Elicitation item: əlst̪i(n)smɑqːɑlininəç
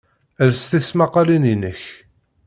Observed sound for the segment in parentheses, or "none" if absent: none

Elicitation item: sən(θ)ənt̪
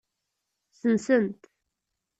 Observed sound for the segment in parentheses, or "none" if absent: s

